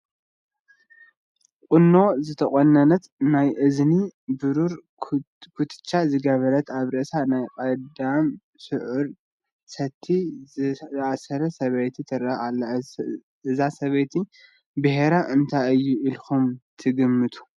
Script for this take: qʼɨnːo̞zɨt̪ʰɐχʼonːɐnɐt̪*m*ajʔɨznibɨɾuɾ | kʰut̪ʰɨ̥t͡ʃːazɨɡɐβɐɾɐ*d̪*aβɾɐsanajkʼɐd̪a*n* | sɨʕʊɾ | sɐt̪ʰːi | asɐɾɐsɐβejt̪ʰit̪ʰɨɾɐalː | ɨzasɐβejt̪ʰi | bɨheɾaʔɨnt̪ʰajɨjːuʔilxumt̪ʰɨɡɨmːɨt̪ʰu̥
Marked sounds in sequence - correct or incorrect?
incorrect: n, incorrect: t̪, incorrect: m

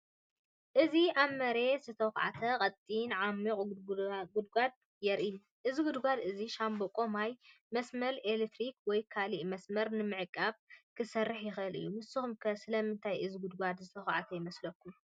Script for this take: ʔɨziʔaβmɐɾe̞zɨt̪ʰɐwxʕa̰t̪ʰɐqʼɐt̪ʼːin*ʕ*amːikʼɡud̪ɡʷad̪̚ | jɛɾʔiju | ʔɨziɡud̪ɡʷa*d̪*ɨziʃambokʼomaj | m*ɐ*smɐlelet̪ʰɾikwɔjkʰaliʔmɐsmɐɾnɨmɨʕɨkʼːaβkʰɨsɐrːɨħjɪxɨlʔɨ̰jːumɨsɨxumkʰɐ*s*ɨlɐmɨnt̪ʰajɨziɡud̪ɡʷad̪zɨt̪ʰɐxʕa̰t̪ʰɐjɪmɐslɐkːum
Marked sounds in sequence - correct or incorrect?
correct, correct, correct, correct

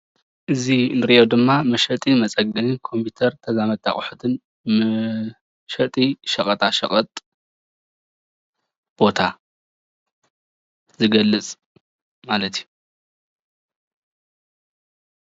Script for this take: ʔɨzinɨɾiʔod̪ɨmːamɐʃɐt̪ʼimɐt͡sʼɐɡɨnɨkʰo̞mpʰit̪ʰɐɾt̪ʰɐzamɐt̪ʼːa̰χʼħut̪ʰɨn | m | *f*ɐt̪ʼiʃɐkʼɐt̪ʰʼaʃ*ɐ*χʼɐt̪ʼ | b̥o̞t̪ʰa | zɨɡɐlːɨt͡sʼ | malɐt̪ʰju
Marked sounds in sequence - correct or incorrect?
incorrect: ʃ, correct

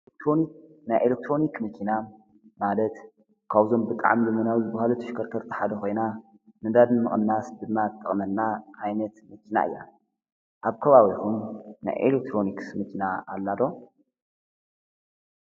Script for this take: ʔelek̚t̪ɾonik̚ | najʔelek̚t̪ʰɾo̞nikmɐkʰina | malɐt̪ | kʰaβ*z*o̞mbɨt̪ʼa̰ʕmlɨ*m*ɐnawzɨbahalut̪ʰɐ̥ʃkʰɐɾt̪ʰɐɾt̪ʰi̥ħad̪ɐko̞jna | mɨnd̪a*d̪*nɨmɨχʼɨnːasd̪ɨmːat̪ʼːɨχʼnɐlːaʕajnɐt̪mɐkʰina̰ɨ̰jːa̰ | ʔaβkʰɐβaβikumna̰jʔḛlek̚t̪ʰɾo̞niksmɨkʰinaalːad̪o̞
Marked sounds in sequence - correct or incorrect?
correct, correct, correct

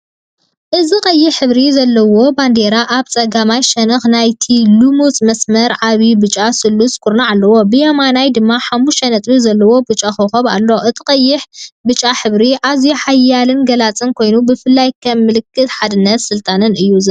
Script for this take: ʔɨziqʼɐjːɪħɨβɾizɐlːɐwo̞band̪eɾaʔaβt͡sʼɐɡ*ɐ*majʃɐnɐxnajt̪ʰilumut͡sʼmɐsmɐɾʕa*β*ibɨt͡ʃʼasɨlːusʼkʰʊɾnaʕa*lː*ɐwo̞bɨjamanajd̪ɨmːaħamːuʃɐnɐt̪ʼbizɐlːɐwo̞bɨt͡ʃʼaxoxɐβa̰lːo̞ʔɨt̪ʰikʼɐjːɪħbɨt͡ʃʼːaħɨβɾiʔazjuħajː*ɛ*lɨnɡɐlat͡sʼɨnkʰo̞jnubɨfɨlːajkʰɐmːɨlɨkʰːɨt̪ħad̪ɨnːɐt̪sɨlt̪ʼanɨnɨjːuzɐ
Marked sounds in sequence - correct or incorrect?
incorrect: a, correct, correct, incorrect: a

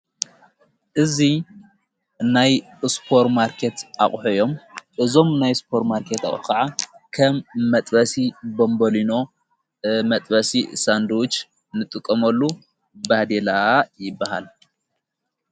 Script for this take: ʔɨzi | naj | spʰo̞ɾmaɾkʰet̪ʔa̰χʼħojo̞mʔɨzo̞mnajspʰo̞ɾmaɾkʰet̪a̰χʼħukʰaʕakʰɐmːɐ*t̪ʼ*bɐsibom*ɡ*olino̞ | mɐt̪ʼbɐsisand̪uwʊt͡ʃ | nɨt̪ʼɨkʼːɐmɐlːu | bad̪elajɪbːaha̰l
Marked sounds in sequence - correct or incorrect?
correct, incorrect: b

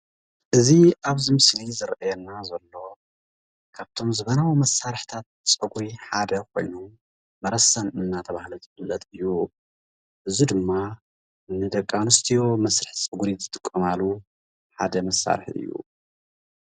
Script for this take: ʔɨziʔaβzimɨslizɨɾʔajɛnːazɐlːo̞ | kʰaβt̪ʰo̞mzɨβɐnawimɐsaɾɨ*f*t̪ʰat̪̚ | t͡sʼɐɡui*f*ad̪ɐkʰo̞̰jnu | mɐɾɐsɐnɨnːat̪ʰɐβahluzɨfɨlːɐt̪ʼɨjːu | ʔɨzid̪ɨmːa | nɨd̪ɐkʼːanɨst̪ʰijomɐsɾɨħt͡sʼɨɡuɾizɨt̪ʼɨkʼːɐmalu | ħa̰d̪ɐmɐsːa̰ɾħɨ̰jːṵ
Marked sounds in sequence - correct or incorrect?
incorrect: ħ, incorrect: ħ

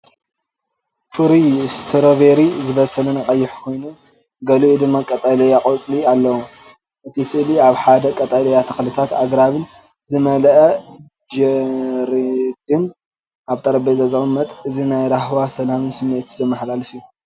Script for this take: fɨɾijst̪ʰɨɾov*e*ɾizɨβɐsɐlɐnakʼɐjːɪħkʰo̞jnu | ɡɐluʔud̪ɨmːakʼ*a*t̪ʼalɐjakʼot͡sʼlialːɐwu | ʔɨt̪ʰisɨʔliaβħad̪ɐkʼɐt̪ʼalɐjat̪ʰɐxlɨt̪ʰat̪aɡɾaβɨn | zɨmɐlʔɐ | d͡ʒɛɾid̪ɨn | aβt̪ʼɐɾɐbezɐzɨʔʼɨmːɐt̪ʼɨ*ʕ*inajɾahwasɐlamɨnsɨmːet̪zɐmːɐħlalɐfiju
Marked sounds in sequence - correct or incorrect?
correct, incorrect: ɐ, incorrect: z

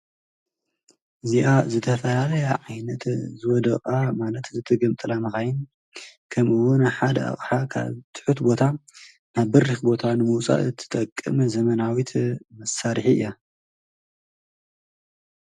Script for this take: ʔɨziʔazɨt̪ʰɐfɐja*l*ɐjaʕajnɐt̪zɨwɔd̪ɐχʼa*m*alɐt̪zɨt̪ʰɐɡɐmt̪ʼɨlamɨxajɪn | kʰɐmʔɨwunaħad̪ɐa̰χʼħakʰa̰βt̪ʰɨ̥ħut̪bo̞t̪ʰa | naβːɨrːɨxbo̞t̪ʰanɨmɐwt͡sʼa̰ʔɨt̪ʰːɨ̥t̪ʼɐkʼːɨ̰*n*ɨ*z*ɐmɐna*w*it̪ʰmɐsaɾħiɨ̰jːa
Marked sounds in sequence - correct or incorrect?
correct, correct, incorrect: m, correct, correct

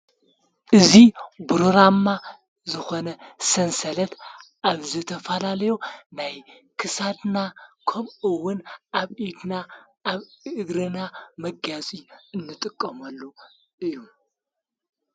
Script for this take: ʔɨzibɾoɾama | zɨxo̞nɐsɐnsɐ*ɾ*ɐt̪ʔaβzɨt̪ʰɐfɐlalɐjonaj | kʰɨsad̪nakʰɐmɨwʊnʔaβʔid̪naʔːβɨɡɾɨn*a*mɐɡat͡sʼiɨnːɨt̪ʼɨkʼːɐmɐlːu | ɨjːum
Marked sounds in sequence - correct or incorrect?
incorrect: l, correct

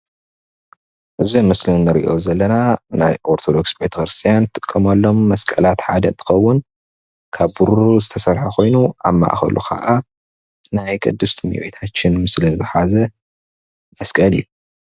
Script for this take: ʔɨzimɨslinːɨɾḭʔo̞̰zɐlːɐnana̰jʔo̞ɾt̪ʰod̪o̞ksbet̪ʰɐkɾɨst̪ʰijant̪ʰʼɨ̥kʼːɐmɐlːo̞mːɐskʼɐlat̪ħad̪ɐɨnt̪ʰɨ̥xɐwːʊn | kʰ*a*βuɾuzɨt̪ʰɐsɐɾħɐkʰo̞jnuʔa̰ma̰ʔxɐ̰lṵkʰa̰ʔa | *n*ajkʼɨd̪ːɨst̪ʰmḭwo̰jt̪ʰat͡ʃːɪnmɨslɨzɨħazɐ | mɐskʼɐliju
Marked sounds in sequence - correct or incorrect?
correct, correct

